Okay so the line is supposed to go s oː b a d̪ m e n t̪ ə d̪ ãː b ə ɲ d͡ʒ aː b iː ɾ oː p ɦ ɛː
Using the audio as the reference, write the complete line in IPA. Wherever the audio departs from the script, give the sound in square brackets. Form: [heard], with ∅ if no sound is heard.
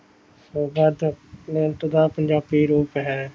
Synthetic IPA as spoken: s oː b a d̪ [n] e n t̪ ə d̪ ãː [p] ə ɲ d͡ʒ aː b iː ɾ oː p ɦ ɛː